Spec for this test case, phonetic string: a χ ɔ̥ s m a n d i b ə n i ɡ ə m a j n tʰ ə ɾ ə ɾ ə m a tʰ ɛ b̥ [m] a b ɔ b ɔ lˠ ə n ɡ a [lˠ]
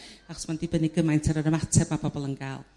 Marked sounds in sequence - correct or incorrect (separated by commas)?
correct, correct